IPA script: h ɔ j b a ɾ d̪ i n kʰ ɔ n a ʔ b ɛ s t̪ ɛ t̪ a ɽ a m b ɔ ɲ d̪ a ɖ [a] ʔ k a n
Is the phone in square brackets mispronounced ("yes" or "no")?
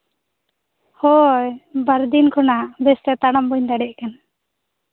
yes